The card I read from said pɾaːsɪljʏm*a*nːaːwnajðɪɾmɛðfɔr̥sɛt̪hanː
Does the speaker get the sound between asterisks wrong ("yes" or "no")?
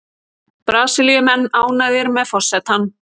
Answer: yes